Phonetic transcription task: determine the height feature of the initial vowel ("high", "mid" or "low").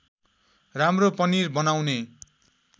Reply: low